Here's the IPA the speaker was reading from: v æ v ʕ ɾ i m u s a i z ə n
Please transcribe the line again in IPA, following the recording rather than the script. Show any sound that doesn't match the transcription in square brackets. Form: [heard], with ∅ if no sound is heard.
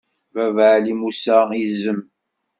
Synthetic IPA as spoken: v æ v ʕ [l] i m u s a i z ə [m]